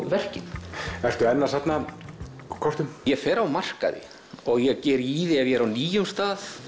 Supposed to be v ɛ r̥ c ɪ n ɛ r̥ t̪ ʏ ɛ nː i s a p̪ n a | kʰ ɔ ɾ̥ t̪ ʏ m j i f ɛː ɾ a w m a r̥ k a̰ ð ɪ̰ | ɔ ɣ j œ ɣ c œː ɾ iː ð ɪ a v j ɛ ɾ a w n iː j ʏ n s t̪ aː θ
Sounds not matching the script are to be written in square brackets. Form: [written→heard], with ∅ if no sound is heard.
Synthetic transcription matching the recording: v ɛ r̥ c ɪ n ɛ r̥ t̪ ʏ ɛ nː [i→a] s a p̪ n a | kʰ ɔ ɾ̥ t̪ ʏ m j [i→ɛ] f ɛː ɾ a w m a r̥ k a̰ ð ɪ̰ | ɔ ɣ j [œ→ɛ] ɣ c [œː→ɛː] ɾ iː ð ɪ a v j ɛ ɾ a w n iː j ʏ [n→m] s t̪ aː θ